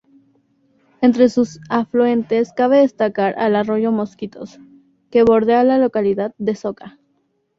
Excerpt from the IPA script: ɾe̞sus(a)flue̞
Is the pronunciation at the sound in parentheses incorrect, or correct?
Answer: correct